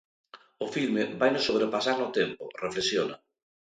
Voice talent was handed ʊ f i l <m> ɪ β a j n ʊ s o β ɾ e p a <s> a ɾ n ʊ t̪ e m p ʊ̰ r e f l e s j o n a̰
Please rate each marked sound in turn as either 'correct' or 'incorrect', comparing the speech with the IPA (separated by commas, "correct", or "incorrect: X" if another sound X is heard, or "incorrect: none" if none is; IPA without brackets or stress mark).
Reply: correct, correct